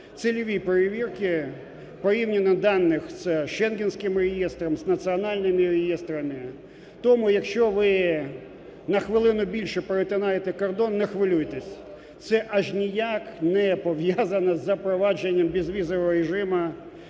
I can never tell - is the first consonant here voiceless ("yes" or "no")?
yes